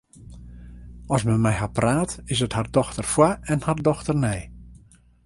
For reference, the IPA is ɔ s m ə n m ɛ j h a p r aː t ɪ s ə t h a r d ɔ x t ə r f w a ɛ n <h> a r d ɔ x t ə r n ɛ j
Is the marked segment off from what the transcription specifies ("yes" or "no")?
no